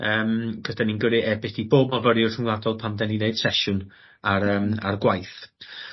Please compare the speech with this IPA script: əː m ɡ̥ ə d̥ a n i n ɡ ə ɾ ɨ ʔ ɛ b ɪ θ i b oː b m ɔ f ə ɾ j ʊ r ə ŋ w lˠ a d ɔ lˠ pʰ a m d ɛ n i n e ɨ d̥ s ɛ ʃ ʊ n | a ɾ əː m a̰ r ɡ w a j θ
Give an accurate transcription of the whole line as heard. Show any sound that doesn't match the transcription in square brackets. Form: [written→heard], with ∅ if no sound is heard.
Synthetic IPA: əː m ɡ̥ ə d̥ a n i n ɡ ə ɾ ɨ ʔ ɛ b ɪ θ i b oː b m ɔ [f→v] ə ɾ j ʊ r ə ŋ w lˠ a d ɔ lˠ pʰ a m d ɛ n i n e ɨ d̥ s ɛ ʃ ʊ n | a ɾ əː m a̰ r ɡ w a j θ